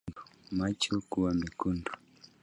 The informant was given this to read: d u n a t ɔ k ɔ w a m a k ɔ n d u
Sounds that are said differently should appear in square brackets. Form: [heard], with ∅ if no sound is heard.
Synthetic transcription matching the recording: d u [m] a [t͡ʃ] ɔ k [u] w a m [i] k [u] n d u